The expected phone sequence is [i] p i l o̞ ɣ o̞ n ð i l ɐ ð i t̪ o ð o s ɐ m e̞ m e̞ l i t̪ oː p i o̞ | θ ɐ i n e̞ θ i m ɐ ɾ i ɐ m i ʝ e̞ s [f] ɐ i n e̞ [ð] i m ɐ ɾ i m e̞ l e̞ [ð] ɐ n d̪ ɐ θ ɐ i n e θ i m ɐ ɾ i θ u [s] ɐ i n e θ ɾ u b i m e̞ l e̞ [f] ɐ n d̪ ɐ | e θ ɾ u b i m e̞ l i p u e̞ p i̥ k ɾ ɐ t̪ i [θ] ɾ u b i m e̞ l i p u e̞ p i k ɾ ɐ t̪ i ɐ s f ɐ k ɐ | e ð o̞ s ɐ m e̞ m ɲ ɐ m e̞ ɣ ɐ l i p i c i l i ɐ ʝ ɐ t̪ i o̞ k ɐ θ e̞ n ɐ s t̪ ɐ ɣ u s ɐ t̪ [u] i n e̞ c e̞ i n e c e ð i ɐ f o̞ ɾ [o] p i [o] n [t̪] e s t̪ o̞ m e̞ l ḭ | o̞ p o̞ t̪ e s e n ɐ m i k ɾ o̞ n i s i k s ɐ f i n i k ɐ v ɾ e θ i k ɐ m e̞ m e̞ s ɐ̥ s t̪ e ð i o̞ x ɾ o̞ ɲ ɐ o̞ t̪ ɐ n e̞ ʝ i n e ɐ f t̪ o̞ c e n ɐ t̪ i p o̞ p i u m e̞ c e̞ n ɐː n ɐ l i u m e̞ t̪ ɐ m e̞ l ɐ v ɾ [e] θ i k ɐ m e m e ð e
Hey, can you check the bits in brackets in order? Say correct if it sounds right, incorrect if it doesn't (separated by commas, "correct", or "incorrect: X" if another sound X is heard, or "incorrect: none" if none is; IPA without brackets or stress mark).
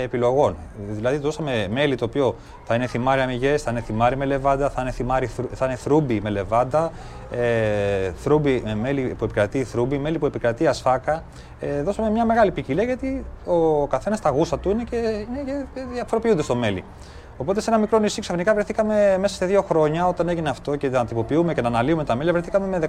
incorrect: e, incorrect: θ, incorrect: θ, incorrect: v, incorrect: θ, incorrect: v, correct, correct, correct, incorrect: u, incorrect: d̪, correct